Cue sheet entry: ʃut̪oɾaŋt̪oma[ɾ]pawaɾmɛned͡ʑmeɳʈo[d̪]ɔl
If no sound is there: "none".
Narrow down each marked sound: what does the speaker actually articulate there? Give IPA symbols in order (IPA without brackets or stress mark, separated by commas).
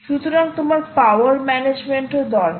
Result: ɾ, d̪